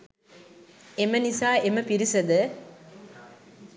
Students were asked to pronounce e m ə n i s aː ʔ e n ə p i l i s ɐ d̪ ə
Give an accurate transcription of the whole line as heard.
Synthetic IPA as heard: e m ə n i s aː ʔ e m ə p i ɾ i s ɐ d̪ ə